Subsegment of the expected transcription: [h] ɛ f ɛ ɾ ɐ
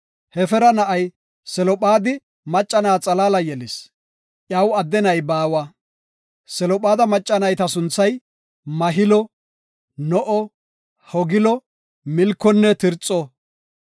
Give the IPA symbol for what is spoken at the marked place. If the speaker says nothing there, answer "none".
h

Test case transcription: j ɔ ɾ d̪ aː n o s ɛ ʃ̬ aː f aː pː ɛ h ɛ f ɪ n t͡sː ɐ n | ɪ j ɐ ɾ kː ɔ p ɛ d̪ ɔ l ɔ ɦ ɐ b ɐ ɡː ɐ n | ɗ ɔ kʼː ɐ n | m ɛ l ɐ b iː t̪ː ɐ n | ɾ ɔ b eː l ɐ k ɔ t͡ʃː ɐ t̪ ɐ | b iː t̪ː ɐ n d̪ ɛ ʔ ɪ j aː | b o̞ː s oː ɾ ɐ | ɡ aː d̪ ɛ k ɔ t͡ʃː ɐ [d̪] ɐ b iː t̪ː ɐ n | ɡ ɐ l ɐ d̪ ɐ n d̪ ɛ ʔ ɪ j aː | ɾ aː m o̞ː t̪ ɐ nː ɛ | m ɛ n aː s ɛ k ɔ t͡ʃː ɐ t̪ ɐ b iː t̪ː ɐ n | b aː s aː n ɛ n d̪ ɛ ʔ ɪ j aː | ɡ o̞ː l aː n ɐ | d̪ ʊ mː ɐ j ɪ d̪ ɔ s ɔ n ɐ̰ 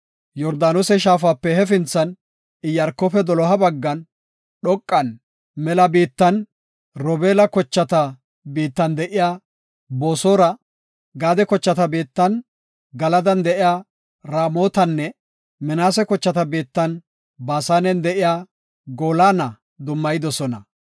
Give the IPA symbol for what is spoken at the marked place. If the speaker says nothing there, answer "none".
t̪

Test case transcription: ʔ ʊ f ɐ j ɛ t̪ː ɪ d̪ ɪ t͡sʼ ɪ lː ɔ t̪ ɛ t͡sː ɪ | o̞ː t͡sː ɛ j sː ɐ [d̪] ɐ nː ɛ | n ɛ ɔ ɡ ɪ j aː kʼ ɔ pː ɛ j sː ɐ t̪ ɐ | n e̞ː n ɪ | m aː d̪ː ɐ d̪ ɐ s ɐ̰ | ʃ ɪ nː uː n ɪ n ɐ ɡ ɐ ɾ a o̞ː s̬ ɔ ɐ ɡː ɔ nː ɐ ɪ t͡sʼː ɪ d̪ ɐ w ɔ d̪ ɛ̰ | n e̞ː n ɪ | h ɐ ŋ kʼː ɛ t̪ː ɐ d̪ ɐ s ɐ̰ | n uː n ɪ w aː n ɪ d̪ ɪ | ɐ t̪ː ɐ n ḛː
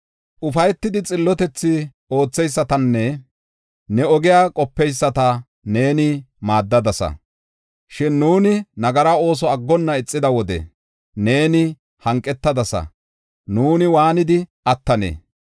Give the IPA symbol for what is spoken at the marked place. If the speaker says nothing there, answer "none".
t̪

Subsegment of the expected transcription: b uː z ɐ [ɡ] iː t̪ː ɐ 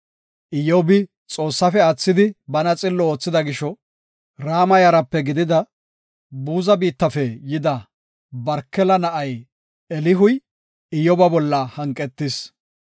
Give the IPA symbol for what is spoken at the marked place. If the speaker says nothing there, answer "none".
b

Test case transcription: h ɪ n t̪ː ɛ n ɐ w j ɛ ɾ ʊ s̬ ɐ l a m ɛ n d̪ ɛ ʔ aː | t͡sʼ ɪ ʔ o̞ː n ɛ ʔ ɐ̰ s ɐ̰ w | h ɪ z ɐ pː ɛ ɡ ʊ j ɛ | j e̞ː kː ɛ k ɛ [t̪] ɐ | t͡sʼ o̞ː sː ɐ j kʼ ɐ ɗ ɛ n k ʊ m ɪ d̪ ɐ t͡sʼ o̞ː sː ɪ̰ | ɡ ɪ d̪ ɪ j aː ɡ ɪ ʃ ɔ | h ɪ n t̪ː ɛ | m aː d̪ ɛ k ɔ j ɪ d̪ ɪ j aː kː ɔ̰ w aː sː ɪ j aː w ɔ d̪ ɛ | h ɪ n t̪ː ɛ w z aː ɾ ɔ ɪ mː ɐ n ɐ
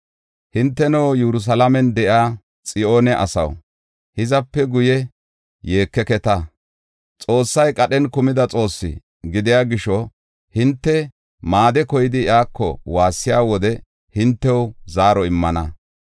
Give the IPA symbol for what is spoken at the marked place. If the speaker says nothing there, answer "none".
t̪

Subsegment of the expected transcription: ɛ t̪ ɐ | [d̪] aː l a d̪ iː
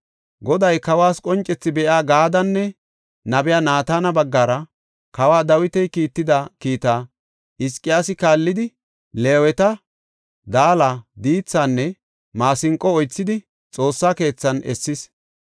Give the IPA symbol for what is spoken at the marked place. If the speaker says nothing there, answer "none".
d̪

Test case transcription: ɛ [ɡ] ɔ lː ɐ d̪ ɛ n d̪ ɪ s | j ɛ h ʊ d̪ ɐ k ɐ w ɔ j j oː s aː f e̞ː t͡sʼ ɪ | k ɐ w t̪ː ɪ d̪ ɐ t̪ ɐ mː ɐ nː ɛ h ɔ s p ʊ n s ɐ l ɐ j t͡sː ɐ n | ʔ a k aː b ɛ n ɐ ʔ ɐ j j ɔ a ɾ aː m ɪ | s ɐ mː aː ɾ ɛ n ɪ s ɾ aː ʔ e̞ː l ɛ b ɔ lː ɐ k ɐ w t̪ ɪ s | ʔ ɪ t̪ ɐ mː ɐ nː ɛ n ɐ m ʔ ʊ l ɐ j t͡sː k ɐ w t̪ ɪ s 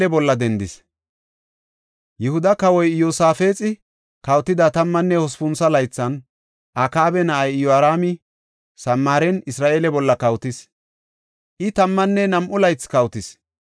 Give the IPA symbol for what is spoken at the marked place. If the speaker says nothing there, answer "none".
b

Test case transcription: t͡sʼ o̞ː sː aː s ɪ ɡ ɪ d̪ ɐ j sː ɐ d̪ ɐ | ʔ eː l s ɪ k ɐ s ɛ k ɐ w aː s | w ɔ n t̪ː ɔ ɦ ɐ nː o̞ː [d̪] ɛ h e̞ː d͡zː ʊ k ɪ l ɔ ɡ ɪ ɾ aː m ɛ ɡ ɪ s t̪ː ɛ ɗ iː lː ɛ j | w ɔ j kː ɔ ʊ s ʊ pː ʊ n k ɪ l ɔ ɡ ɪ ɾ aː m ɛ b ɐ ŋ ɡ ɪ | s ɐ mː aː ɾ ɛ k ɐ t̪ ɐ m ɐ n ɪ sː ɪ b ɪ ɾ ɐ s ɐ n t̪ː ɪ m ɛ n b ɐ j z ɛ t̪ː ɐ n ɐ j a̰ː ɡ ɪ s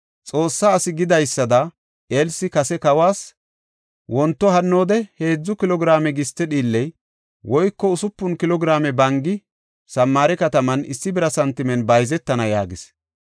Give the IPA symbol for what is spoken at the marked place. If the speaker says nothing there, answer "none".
d̪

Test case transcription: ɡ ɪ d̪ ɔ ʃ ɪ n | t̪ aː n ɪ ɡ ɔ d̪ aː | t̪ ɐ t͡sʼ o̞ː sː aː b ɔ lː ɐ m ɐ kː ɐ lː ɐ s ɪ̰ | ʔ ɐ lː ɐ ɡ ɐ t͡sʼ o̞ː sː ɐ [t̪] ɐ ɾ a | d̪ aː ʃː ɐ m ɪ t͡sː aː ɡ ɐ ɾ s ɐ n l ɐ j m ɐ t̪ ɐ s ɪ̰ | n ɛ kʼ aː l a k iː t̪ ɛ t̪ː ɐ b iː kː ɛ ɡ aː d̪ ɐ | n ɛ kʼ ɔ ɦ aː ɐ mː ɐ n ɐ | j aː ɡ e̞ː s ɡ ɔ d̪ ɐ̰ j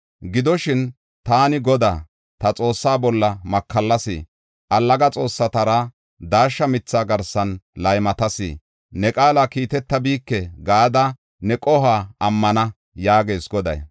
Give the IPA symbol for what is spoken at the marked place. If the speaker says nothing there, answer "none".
t̪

